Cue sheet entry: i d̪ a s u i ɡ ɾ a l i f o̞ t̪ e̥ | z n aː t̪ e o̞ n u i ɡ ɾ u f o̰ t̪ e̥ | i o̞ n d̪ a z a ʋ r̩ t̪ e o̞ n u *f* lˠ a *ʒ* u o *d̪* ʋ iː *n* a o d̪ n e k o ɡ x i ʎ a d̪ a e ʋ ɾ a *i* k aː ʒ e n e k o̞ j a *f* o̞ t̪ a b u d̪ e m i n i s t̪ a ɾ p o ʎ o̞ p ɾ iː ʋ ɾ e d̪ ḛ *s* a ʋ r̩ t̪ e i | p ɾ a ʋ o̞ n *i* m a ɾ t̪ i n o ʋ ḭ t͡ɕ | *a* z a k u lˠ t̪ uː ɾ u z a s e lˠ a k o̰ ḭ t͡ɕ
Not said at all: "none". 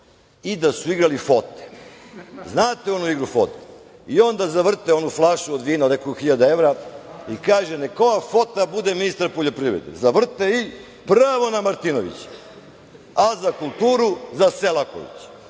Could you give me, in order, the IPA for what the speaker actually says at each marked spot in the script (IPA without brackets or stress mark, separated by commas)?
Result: f, ʃ, d̪, n, i, f, z, a, a